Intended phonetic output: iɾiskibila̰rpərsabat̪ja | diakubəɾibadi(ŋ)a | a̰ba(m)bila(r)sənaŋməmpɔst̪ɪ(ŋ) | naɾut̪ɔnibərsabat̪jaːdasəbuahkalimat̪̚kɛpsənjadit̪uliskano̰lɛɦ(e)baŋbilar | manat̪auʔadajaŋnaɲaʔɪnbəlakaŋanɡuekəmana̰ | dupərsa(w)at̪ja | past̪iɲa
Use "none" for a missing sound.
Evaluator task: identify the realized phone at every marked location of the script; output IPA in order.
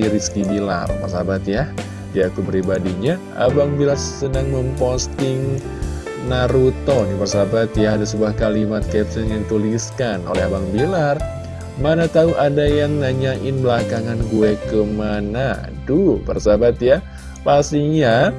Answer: ɲ, ŋ, r, ŋ, a, b

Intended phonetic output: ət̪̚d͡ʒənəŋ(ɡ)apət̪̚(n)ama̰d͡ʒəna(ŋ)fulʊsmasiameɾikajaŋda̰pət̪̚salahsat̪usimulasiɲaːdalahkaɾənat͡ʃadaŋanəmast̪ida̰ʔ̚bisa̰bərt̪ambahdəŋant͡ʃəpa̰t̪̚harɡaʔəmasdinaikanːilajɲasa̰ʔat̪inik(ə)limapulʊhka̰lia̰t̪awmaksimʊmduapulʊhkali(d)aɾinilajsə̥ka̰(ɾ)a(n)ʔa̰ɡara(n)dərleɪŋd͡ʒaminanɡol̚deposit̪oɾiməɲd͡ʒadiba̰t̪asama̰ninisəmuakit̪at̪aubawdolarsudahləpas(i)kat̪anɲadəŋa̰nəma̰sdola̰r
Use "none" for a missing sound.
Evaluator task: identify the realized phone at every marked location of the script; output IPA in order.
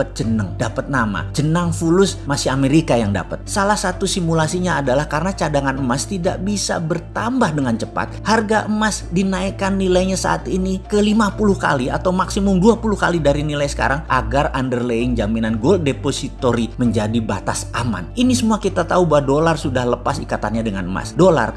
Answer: d, n, ŋ, ə, d, ɾ, ŋ, n, i

